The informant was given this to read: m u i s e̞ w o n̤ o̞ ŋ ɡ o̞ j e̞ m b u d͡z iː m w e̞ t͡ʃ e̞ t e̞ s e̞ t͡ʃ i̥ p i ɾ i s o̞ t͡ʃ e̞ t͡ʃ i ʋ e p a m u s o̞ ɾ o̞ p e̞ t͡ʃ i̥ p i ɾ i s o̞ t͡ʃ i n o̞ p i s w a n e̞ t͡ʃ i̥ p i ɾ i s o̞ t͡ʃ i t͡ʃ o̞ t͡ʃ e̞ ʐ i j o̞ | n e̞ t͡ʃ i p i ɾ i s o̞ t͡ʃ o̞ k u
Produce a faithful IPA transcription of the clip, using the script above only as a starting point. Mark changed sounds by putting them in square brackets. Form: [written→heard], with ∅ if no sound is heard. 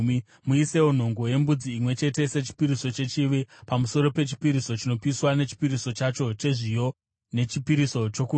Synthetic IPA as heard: m u i s e̞ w o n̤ o̞ ŋ ɡ o̞ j e̞ m b u d͡z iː m w e̞ t͡ʃ e̞ t e̞ s e̞ t͡ʃ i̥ p i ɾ i s o̞ t͡ʃ e̞ t͡ʃ i ʋ e p a m u s o̞ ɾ o̞ p e̞ t͡ʃ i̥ p i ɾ i s o̞ t͡ʃ i n o̞ p i s w a n e̞ t͡ʃ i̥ p i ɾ i s o̞ t͡ʃ [i→a] t͡ʃ o̞ t͡ʃ e̞ ʐ i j o̞ | n e̞ t͡ʃ i p i ɾ i s o̞ t͡ʃ o̞ k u